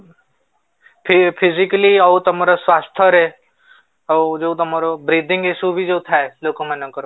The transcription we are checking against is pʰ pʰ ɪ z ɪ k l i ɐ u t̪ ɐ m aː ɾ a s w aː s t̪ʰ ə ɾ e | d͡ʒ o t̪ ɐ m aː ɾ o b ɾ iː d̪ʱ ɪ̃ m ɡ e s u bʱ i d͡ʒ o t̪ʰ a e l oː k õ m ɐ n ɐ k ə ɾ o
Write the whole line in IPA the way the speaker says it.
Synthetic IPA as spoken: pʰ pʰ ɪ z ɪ k l i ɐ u t̪ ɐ m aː ɾ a s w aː s t̪ʰ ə ɾ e | d͡ʒ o t̪ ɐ m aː ɾ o b ɾ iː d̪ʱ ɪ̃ ŋ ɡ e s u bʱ i d͡ʒ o t̪ʰ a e l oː k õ m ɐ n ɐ k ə ɾ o